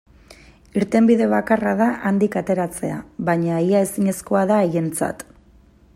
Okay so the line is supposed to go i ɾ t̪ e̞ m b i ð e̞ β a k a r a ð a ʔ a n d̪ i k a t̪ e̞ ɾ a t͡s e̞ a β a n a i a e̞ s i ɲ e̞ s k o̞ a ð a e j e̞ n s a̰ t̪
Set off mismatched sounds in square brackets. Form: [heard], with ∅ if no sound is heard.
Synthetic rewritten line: i ɾ t̪ e̞ m b i ð e̞ β a k a r a ð a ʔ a n d̪ i k a t̪ e̞ ɾ a t͡s e̞ a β a [ɲ] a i a e̞ s i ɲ e̞ s k o̞ a ð a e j e̞ n [t͡s] a̰ t̪